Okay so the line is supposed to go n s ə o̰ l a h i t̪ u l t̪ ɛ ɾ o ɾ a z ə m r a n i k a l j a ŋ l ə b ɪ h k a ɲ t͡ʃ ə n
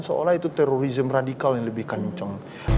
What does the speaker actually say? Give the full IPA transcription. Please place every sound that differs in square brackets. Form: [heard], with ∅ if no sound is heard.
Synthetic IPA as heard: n s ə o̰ l a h i t̪ u [∅] t̪ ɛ ɾ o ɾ [i] z ə m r a [d] i k a l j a ŋ l ə b ɪ h k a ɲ t͡ʃ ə [ŋ]